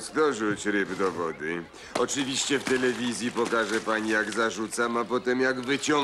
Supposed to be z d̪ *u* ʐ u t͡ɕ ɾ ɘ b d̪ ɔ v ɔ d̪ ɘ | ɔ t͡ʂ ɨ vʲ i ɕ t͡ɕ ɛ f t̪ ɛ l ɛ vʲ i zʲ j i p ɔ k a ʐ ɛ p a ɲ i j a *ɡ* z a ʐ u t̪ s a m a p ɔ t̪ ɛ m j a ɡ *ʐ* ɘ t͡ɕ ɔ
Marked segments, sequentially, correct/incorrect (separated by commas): incorrect, correct, incorrect